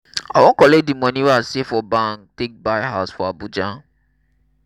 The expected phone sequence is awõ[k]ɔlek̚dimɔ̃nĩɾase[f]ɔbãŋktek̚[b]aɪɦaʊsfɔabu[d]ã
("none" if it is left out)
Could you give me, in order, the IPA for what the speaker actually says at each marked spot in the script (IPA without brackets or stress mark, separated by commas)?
k, f, b, d͡ʒ